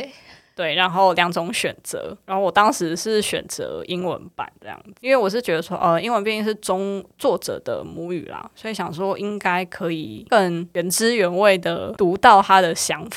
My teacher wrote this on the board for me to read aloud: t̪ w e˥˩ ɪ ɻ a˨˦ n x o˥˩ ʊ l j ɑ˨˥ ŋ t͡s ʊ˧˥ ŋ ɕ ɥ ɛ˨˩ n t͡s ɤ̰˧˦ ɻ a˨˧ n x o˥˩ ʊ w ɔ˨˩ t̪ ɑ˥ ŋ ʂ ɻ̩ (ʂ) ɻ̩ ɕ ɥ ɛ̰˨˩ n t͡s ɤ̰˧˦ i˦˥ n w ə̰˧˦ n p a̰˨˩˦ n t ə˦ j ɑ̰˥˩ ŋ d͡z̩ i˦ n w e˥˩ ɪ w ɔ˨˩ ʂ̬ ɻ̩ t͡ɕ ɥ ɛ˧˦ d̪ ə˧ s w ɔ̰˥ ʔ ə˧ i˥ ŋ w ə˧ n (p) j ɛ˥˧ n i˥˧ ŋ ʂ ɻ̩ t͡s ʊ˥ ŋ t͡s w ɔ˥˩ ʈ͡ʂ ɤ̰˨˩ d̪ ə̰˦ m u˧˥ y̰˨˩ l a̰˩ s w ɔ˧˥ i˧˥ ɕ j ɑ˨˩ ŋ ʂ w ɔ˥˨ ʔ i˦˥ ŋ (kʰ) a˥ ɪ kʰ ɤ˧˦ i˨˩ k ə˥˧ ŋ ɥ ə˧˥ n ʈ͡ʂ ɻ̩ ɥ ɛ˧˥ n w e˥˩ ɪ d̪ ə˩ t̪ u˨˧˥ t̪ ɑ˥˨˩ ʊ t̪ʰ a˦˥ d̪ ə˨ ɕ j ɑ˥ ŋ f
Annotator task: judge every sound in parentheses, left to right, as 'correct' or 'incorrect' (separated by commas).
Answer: correct, correct, incorrect